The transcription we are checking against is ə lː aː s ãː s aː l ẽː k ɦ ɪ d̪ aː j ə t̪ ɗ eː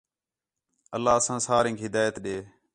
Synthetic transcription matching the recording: ə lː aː s ãː s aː ɾ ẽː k ɦ ɪ d̪ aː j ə t̪ ɗ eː